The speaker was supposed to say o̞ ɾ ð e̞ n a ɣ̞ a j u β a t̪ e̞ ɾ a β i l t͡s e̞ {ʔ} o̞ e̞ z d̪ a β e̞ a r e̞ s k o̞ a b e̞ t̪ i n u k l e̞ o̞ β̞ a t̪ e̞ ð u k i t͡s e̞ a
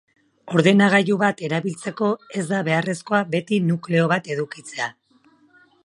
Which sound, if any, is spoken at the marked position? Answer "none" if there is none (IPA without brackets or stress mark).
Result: k